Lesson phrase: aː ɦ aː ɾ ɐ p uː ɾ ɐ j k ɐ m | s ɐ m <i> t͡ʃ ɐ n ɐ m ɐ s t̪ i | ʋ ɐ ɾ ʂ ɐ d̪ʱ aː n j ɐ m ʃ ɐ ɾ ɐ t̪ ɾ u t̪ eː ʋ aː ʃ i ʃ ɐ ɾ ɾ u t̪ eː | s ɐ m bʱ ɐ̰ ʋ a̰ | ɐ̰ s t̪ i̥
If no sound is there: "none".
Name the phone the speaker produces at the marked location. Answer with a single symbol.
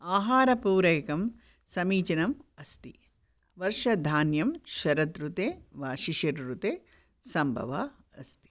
iː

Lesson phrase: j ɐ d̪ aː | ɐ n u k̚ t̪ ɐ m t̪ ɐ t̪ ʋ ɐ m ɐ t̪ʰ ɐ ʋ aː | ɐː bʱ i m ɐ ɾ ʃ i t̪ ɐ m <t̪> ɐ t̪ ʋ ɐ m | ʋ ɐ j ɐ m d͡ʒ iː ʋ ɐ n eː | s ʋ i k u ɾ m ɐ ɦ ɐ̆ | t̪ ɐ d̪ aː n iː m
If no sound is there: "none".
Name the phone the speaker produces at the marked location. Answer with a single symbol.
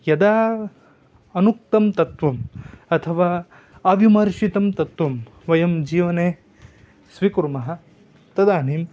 t̪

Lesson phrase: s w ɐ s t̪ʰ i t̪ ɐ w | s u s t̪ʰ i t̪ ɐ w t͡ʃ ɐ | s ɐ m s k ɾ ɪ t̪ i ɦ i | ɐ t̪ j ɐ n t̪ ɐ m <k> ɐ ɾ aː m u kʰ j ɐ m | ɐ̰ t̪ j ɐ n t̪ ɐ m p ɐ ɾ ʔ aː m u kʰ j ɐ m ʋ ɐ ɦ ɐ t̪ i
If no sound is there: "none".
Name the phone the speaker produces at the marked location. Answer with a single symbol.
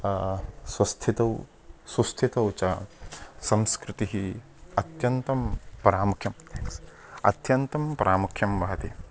p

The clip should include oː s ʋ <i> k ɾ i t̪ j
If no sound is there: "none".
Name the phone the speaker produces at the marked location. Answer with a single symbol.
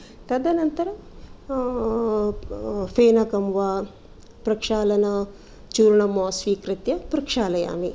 iː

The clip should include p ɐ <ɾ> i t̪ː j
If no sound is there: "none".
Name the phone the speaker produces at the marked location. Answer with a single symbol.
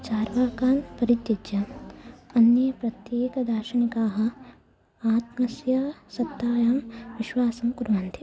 ɾ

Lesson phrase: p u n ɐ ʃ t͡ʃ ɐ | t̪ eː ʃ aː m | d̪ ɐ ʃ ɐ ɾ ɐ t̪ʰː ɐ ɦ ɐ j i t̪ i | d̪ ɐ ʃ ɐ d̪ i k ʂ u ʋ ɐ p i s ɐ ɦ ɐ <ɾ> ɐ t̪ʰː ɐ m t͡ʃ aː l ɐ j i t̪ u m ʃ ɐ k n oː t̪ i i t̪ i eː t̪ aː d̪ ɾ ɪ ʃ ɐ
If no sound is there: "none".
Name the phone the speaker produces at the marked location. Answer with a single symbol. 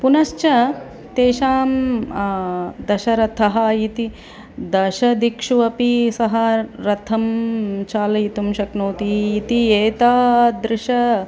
ɾ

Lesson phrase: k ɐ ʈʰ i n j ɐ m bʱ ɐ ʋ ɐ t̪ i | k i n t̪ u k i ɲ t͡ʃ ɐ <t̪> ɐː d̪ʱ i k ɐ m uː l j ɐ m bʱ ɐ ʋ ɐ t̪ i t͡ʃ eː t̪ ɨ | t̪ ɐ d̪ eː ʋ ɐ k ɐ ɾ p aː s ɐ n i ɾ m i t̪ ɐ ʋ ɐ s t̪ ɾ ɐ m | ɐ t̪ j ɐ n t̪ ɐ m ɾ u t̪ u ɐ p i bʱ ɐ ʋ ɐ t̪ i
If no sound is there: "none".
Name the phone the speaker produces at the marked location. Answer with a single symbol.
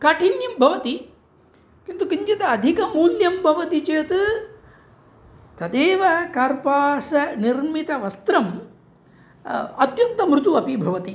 t̪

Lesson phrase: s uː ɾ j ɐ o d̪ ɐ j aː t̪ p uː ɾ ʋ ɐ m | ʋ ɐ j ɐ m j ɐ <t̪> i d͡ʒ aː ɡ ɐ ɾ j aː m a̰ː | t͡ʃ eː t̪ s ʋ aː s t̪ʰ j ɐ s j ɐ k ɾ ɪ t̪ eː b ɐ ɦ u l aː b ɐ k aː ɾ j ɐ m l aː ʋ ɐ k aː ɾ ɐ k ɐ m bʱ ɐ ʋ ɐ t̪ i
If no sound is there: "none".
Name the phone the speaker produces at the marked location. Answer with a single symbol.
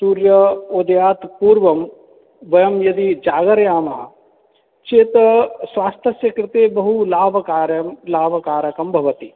d̪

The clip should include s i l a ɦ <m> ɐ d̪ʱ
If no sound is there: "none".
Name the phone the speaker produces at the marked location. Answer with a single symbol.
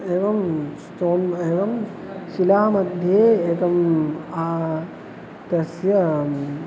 m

